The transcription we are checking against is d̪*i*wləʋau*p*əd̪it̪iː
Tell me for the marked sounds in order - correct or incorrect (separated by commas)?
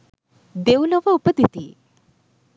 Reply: incorrect, correct